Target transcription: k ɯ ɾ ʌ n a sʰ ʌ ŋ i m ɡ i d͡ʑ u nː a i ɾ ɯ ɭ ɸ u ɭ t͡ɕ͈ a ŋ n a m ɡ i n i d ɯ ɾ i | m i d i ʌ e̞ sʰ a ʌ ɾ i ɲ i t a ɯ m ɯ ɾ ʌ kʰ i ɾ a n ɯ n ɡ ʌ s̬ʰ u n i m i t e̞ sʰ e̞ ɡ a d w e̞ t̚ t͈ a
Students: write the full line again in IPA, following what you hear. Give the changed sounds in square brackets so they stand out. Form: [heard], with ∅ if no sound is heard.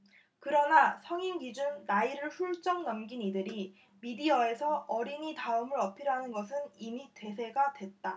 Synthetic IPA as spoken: k ɯ ɾ ʌ n a sʰ ʌ ŋ i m ɡ i d͡ʑ u nː a i ɾ ɯ ɭ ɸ u ɭ t͡ɕ͈ [ʌ] ŋ n [ʌ] m ɡ i n i d ɯ ɾ i | m i d i ʌ e̞ sʰ [ʌ] ʌ ɾ i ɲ i t a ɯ m ɯ ɾ ʌ [pʰ] i ɾ a n ɯ n ɡ ʌ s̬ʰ [ɯ] n i m i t e̞ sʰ e̞ ɡ a d w e̞ t̚ t͈ a